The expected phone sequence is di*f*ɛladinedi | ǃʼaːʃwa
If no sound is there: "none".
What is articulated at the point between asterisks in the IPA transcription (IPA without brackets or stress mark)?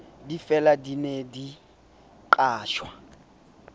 f